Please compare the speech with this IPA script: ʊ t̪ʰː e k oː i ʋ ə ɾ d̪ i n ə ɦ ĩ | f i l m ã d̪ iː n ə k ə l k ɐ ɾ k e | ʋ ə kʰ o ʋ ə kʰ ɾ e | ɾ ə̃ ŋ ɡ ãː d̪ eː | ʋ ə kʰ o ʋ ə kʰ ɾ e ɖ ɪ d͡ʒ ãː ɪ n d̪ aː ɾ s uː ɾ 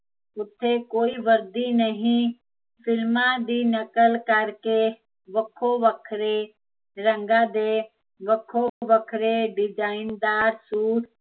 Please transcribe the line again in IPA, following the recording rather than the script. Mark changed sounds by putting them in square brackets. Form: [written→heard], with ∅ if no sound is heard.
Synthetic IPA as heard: ʊ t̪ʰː e k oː i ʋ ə ɾ d̪ i n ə ɦ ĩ | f [i→ɪ] l m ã d̪ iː n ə k ə l k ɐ ɾ k e | ʋ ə kʰ o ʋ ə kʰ ɾ e | ɾ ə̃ ŋ ɡ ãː d̪ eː | ʋ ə kʰ o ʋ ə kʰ ɾ e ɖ ɪ d͡ʒ [ãː→aː] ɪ n d̪ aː ɾ s uː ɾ